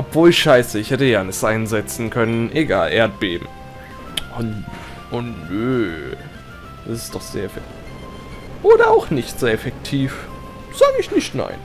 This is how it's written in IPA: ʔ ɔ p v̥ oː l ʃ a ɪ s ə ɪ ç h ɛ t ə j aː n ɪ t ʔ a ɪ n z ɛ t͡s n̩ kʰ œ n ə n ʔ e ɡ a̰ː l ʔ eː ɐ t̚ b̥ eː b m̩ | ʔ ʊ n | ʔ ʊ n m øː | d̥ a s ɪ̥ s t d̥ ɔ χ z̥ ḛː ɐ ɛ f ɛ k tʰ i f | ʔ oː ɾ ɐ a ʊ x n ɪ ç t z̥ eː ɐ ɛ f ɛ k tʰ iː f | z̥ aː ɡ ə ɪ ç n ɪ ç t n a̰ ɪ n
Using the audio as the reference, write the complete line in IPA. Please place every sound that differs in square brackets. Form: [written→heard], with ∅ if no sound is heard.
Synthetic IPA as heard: ʔ ɔ p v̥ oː l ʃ a ɪ s ə ɪ ç h ɛ t ə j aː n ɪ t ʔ a ɪ n z ɛ t͡s n̩ kʰ œ n ə n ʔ e ɡ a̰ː l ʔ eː ɐ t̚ b̥ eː b m̩ | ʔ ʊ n | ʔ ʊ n [m→n] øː | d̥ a s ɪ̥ s t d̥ ɔ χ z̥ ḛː ɐ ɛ f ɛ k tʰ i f | ʔ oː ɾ ɐ a ʊ x n ɪ ç t z̥ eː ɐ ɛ f ɛ k tʰ iː f | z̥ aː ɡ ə ɪ ç n ɪ ç t n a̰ ɪ n